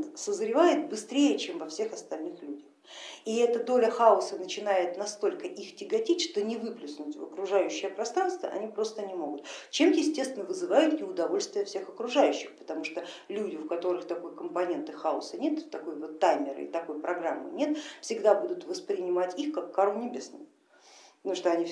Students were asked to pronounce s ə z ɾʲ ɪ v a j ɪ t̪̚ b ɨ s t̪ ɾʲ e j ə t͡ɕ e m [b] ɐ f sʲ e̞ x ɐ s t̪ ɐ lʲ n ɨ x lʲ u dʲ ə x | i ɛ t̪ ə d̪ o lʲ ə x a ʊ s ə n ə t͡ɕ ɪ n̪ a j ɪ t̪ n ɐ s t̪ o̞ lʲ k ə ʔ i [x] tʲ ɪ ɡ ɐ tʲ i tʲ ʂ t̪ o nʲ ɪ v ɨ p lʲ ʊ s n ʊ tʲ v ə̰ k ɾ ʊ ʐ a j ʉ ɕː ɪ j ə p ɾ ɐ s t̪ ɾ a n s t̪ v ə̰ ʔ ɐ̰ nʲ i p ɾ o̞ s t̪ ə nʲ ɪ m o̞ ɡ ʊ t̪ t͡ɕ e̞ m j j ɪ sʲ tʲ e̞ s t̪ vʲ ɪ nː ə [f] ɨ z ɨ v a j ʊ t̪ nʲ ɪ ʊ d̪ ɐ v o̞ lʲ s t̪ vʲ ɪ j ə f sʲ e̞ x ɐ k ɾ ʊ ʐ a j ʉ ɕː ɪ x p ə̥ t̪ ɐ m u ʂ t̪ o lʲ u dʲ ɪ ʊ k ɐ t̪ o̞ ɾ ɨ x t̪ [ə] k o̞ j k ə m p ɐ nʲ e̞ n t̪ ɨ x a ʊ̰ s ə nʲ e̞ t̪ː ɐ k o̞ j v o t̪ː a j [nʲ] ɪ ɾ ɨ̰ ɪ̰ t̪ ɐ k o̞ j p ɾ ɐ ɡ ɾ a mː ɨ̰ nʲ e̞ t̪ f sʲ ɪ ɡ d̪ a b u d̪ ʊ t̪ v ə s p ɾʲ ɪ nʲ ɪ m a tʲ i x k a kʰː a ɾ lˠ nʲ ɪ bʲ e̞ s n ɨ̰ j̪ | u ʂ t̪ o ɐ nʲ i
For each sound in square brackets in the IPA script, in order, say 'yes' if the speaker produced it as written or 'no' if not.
no, yes, no, no, no

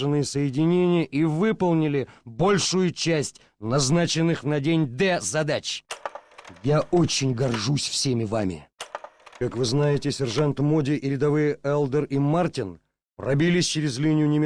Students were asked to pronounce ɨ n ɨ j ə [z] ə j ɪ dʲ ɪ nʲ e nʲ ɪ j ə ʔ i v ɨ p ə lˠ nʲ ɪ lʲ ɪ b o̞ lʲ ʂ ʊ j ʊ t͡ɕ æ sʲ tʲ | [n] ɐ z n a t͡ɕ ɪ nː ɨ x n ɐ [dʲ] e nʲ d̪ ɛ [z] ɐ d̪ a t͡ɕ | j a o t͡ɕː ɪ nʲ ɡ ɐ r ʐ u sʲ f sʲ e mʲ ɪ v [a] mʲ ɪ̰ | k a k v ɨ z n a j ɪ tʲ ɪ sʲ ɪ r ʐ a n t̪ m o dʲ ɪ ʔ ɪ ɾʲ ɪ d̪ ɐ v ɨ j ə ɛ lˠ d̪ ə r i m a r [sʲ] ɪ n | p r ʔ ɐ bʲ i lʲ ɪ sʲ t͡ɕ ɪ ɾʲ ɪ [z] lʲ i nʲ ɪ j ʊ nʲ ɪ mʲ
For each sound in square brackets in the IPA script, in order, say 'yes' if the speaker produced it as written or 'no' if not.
no, yes, yes, yes, yes, no, yes

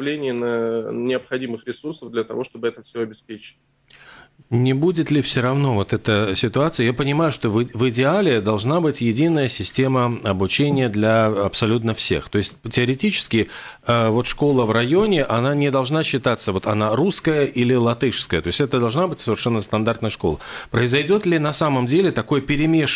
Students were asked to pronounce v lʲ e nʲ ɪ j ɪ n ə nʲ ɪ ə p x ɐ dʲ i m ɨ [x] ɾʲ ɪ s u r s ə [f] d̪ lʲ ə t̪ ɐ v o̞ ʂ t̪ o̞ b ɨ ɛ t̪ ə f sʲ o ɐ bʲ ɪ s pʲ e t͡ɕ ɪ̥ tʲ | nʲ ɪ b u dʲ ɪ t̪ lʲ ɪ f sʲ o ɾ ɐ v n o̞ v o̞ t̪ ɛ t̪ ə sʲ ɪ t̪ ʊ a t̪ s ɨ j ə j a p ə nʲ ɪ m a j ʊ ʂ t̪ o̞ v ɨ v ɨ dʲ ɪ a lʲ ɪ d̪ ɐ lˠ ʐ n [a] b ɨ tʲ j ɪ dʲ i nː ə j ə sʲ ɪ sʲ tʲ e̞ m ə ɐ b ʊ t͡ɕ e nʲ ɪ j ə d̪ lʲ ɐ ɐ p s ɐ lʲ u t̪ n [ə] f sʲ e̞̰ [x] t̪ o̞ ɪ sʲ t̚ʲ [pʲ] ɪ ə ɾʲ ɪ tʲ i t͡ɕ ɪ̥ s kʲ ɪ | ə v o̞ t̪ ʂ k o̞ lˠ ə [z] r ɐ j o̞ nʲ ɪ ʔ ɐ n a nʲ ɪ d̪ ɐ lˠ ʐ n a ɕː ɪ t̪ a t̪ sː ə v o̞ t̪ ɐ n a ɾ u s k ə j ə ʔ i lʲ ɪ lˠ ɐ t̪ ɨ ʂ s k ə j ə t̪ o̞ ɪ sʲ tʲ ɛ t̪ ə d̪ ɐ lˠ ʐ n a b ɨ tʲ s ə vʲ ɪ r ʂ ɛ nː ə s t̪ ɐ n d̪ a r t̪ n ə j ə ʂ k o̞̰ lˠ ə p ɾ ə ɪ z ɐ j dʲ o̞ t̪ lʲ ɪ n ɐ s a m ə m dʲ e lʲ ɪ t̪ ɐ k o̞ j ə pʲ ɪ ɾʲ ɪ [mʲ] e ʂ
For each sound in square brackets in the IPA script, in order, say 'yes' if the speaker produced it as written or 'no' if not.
yes, no, yes, yes, yes, no, no, yes

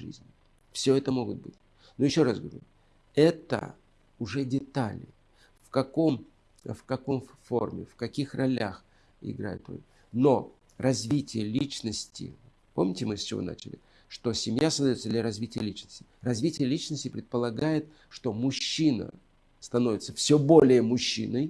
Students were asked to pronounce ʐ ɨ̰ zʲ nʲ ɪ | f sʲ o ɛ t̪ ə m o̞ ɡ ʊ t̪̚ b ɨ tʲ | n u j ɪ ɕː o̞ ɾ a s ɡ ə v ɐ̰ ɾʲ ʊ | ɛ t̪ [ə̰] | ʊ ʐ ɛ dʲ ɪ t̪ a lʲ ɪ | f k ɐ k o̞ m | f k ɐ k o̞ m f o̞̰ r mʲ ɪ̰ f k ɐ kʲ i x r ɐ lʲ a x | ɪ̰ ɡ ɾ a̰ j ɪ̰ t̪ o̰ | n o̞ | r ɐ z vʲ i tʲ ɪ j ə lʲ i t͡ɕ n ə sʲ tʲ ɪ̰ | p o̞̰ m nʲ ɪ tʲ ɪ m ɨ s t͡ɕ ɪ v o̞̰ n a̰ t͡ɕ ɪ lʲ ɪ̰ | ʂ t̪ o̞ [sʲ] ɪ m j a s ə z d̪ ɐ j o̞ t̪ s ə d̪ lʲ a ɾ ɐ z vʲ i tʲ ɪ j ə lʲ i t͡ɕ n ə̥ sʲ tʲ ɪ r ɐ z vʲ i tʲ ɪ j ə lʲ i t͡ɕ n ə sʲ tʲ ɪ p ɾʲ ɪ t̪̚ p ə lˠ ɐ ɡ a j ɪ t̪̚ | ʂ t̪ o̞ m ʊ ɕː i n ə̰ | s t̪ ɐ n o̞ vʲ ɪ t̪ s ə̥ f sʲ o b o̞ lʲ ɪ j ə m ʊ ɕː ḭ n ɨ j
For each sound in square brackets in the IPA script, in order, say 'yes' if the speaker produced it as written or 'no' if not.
yes, yes

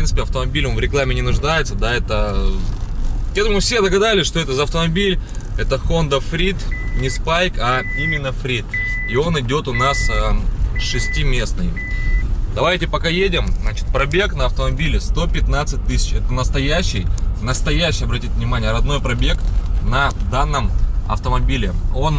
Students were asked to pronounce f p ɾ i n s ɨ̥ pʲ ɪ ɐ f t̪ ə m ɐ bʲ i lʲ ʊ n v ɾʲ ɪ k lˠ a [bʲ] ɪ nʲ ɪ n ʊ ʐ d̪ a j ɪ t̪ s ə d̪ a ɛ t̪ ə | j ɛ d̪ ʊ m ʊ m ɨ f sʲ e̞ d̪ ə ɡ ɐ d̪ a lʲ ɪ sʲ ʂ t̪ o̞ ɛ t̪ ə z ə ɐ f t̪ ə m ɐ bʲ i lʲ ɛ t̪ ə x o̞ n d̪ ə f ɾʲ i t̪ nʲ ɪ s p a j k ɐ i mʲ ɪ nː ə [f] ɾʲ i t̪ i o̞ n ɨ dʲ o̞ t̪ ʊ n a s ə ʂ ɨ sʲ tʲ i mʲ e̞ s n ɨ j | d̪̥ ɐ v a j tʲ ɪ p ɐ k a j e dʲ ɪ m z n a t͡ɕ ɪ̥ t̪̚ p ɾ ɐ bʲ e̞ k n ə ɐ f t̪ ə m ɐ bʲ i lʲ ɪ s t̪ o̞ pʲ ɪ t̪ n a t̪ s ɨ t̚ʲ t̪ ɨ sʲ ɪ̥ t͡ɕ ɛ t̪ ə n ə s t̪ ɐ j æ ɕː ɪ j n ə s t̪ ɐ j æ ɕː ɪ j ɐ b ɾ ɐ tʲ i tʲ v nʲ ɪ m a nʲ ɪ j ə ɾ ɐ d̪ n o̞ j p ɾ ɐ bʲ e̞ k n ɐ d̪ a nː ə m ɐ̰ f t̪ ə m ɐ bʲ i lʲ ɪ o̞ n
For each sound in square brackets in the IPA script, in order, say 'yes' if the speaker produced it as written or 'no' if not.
no, yes

